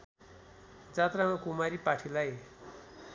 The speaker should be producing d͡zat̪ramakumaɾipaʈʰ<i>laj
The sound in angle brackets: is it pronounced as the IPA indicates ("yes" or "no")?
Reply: yes